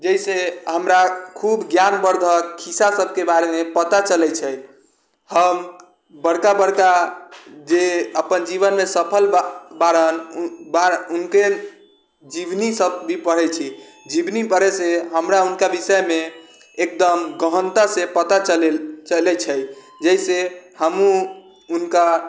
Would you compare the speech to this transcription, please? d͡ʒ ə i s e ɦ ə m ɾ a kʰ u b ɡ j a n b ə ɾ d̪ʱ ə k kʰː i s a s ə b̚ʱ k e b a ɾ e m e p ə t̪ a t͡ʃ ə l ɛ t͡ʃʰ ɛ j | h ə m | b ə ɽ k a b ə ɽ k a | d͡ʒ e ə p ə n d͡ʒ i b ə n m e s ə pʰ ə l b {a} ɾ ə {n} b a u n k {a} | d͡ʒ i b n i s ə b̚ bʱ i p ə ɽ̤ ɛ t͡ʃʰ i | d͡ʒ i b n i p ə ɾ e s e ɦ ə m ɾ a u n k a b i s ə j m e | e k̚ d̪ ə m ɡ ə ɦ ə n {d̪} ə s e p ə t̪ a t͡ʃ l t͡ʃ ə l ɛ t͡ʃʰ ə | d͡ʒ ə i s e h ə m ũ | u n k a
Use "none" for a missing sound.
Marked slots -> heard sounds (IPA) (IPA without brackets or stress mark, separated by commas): a, n, e, t̪